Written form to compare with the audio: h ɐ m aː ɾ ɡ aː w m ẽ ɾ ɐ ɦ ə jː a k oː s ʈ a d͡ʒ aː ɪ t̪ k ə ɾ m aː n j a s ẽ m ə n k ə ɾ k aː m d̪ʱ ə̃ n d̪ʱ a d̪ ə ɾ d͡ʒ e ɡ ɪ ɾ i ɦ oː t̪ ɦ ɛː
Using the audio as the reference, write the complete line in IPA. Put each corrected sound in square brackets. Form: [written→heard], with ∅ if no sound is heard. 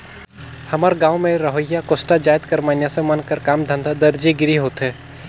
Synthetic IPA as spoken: h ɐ m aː ɾ ɡ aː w m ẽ ɾ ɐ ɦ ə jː a k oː s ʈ a d͡ʒ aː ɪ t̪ k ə ɾ m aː n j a s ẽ m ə n k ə ɾ k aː m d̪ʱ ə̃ n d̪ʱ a d̪ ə ɾ d͡ʒ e ɡ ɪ ɾ i ɦ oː t̪ ɦ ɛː